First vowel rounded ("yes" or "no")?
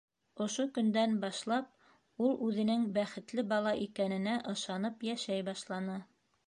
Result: yes